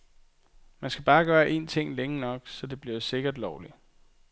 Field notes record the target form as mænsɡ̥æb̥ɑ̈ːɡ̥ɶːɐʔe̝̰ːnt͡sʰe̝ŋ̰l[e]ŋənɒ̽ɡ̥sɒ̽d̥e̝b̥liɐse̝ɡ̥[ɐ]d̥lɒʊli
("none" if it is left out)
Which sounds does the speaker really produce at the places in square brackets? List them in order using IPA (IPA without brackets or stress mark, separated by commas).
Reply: e, ɐ